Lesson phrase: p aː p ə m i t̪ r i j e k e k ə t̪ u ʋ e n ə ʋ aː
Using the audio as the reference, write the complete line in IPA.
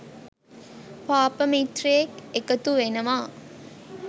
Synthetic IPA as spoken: p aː p ə m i t̪ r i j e k e k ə t̪ u ʋ e n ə ʋ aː